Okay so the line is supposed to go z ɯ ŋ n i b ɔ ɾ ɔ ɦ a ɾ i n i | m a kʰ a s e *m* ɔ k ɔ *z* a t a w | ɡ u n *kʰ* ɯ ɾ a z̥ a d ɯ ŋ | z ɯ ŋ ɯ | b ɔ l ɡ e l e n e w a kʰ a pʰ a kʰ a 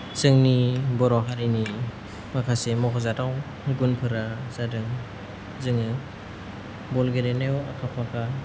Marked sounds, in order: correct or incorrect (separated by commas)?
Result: correct, correct, incorrect